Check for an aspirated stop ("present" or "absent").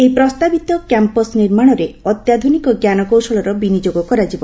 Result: absent